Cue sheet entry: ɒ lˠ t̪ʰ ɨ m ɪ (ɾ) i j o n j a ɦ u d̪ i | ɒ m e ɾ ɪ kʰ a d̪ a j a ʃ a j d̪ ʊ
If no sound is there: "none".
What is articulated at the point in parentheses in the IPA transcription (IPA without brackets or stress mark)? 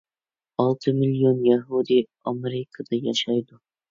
l